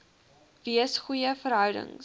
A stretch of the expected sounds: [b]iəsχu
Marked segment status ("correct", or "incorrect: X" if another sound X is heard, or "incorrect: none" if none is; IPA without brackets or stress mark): incorrect: v